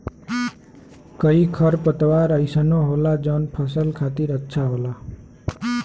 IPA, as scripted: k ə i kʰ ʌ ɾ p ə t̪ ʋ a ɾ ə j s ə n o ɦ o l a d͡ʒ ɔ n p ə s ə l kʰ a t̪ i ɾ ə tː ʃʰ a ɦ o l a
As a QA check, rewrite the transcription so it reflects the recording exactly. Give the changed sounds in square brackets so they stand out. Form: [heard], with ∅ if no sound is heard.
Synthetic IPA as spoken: k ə i kʰ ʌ ɾ p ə t̪ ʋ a ɾ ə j s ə n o ɦ o l a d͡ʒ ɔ n [pʰ] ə s ə l kʰ a t̪ i ɾ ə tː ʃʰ a ɦ o l a

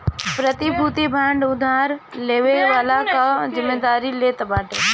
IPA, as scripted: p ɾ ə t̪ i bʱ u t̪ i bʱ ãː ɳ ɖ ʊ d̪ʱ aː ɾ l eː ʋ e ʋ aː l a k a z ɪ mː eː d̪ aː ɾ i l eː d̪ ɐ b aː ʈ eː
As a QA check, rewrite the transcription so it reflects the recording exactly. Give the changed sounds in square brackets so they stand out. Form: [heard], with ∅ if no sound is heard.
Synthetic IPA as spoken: p ɾ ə t̪ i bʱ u t̪ i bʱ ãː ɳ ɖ ʊ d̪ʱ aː ɾ l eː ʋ e ʋ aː l a k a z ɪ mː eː d̪ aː ɾ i l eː [t̪] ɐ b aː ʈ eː

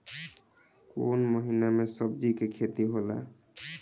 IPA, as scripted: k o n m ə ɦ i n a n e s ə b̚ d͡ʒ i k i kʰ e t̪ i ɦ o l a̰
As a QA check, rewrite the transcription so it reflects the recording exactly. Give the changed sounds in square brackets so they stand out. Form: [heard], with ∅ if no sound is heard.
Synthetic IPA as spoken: k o n m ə ɦ i n a [m] e s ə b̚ d͡ʒ i k [e] kʰ e t̪ i ɦ o l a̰

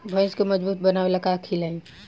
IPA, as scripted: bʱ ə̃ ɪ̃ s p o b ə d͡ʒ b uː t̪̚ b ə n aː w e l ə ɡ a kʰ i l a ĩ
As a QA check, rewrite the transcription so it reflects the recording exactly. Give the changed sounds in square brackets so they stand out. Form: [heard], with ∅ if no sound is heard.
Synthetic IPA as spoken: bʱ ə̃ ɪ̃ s [k] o [m] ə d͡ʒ b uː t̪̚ b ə n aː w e l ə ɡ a kʰ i l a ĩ

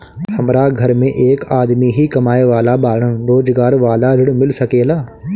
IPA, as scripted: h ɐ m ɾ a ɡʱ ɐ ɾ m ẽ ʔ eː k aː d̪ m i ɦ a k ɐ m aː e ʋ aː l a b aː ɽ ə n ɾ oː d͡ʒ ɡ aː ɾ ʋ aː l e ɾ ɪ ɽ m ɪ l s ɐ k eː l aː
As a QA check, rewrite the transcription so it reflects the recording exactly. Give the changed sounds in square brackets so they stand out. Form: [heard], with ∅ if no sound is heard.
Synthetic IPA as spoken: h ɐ m ɾ a ɡʱ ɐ ɾ m ẽ ʔ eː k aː d̪ m i ɦ [i] k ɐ m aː e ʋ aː l a b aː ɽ ə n ɾ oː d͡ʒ ɡ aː ɾ ʋ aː l [a] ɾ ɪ ɽ m ɪ l s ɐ k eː l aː

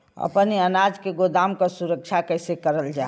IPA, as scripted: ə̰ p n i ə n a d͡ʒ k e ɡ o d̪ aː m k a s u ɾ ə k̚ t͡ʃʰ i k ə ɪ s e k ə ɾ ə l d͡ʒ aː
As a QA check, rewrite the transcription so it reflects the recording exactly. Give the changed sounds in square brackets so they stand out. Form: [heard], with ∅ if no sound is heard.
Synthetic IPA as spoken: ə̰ p n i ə n a d͡ʒ k e ɡ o d̪ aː m k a s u ɾ ə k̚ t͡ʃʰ [a] k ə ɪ s e k ə ɾ ə l d͡ʒ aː

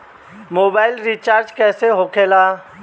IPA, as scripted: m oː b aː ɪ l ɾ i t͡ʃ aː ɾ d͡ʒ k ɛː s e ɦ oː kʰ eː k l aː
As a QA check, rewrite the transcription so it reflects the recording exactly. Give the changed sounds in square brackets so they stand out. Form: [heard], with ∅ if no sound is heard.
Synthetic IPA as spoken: m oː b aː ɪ l ɾ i t͡ʃ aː ɾ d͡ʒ k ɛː s e ɦ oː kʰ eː [∅] l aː

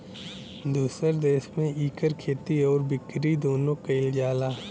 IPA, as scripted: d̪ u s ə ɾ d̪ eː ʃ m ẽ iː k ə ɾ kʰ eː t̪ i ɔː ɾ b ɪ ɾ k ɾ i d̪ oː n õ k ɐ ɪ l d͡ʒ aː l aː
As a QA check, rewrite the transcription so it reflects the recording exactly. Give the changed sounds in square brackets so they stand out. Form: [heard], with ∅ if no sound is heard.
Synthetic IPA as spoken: d̪ [uː] s ə ɾ d̪ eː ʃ m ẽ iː k ə ɾ kʰ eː t̪ i ɔː ɾ b ɪ [∅] k ɾ i d̪ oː n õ k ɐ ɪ l d͡ʒ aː l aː

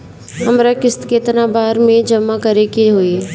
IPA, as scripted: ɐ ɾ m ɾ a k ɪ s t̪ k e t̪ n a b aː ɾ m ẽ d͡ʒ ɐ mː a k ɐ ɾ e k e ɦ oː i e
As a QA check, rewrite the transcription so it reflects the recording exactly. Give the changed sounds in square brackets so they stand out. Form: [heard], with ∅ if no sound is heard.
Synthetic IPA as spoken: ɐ [∅] m ɾ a k ɪ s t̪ k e t̪ n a b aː ɾ m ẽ d͡ʒ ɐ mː a k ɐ ɾ e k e ɦ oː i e

